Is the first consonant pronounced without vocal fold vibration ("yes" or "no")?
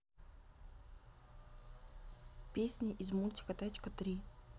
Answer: yes